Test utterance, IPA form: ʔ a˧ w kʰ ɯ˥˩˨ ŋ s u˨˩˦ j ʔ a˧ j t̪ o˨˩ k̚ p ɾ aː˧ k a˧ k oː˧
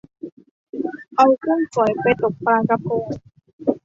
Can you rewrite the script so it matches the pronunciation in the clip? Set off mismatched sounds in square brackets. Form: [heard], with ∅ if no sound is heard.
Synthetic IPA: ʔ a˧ w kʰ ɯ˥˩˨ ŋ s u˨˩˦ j [p] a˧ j t̪ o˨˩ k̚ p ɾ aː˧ k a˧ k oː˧